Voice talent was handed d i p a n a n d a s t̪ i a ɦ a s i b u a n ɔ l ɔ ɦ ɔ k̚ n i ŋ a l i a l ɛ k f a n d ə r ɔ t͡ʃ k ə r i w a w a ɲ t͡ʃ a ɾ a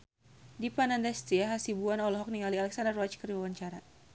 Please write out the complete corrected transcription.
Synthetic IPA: d i p a n a n d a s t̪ i a ɦ a s i b u a n ɔ l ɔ ɦ ɔ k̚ n i ŋ a l i a l ɛ k s a n d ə r ɔ t͡ʃ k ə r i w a w a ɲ t͡ʃ a ɾ a